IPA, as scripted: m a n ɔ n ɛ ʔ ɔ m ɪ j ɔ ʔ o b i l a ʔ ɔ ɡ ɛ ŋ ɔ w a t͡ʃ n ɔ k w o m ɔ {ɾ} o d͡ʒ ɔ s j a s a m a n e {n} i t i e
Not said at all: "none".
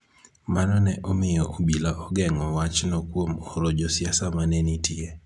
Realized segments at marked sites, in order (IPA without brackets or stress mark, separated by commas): ɾ, n